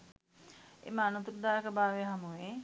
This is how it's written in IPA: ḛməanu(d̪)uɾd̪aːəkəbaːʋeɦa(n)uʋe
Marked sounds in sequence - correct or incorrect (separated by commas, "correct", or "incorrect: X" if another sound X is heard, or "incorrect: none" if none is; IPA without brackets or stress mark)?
incorrect: t̪, incorrect: m